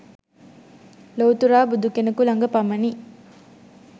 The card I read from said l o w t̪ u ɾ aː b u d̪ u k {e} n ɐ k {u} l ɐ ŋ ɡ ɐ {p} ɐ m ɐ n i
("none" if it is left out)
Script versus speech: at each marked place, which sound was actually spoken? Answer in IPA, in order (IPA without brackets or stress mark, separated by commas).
e, u, p